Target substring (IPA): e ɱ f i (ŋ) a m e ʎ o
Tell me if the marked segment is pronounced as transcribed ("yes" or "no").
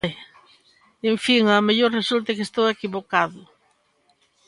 yes